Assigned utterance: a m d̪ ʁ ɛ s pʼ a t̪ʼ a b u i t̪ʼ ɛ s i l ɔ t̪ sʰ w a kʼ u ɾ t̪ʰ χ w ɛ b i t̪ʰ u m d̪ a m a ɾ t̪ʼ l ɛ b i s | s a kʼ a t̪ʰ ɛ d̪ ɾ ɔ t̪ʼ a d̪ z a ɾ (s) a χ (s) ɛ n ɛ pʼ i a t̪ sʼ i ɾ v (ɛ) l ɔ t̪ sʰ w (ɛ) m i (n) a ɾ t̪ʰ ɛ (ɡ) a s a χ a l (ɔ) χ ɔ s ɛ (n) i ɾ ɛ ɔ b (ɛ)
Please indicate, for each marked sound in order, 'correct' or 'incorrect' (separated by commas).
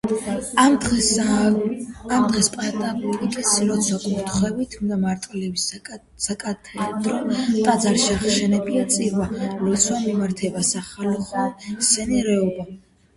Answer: incorrect, incorrect, incorrect, incorrect, incorrect, incorrect, correct, correct, incorrect